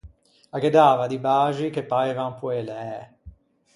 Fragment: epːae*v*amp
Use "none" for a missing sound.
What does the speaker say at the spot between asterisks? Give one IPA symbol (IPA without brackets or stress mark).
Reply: v